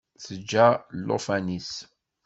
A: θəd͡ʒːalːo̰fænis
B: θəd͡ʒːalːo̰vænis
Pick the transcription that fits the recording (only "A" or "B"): A